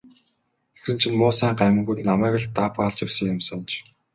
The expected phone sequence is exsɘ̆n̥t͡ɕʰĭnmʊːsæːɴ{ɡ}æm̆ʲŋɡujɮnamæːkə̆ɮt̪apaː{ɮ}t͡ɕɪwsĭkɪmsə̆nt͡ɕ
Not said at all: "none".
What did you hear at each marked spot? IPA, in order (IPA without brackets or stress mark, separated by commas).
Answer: ɢ, ɮ